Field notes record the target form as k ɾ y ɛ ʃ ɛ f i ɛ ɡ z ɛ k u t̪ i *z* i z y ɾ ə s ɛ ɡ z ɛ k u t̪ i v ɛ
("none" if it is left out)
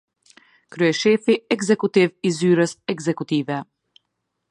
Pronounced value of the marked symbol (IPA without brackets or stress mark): v